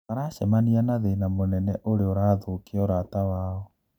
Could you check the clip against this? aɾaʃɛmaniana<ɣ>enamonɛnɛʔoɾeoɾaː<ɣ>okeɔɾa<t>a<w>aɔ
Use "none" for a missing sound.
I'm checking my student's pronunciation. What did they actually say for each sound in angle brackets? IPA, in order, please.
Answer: ð, ð, t, w

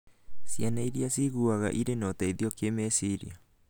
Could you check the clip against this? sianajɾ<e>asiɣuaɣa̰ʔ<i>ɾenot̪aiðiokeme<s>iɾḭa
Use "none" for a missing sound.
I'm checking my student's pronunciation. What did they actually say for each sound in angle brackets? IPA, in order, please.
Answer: i, i, s

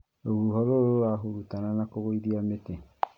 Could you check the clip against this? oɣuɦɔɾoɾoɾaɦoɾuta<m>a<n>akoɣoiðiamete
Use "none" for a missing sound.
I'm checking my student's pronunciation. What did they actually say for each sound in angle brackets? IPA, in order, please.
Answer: n, n

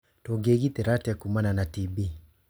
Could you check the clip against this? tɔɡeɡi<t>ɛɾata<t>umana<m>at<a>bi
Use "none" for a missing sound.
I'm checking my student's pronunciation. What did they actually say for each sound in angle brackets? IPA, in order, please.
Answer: t, k, n, i

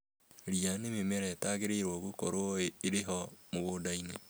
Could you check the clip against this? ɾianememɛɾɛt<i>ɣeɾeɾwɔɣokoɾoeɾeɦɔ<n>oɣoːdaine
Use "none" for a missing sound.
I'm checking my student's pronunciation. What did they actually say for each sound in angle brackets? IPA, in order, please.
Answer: a, m

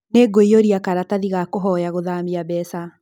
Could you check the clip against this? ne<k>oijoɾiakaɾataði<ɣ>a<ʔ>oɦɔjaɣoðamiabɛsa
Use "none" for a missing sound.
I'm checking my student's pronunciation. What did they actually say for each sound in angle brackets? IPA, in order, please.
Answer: ɡ, ɣ, k

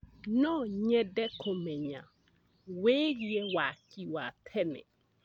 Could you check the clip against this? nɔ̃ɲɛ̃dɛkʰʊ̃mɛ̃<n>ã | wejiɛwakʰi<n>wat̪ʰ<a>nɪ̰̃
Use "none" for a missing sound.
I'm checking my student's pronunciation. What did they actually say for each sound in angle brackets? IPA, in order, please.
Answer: ɲ, none, ɛ

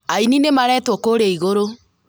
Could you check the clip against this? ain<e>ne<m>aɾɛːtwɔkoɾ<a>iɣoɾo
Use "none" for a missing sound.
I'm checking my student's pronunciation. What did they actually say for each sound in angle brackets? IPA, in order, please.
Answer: i, m, e

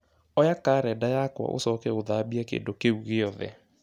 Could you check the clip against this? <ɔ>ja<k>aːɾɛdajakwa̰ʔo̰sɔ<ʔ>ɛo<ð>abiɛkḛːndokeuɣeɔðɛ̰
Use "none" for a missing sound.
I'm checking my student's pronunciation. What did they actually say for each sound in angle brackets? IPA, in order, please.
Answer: ɔ, k, k, ð

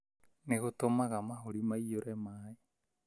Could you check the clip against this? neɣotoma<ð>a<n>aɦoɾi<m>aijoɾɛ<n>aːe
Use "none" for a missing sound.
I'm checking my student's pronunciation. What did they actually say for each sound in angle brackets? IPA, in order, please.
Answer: ɣ, m, m, m

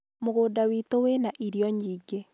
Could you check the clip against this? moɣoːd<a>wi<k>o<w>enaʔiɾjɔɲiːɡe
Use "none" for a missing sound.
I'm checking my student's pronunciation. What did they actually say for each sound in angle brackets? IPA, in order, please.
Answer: a, t, w

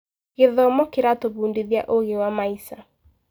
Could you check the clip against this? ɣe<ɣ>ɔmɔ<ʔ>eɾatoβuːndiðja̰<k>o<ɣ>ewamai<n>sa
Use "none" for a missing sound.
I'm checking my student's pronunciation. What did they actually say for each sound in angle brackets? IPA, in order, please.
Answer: ð, k, ʔ, ɣ, none

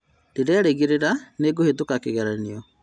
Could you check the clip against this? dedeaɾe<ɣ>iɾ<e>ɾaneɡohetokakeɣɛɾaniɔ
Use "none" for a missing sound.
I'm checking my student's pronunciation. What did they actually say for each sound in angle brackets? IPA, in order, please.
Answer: ɣ, e

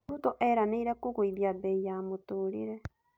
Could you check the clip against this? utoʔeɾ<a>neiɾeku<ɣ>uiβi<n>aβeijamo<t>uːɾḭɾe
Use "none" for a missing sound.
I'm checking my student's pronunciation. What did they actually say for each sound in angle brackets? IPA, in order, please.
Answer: a, ɣ, none, t

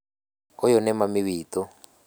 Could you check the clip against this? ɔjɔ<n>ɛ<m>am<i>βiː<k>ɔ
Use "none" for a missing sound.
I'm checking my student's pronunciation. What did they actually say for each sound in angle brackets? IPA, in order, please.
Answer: n, m, i, t

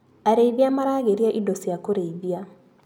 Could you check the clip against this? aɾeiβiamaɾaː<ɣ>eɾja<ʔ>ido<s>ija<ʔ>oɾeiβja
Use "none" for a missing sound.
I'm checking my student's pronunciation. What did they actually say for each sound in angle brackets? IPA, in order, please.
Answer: ɣ, ʔ, s, k

